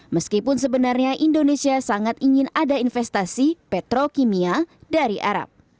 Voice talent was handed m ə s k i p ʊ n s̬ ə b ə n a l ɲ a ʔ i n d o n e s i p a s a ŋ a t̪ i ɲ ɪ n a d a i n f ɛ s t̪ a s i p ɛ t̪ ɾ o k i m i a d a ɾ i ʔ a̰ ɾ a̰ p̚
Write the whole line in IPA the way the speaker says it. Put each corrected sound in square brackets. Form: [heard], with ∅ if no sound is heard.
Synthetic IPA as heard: m ə s k i p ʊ n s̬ ə b ə n a [r] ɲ a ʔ i n d o n e s i [∅] a s a ŋ a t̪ i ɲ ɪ n a d a i n f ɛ s t̪ a s i p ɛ t̪ ɾ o k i m i a d a ɾ i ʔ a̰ ɾ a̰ p̚